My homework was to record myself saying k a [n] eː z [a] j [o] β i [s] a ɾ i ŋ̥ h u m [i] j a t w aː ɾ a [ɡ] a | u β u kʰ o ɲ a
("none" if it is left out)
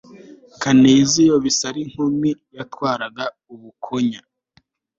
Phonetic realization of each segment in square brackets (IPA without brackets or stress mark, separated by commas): n, i, o, s, i, ɡ